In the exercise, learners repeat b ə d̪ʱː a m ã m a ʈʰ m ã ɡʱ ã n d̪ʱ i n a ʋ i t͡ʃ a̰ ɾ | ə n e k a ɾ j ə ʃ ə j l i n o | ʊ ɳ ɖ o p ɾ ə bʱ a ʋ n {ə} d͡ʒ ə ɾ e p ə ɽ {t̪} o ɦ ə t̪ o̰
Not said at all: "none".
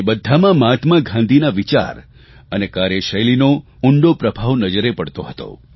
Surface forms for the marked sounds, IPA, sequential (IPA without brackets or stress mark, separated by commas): ə, t̪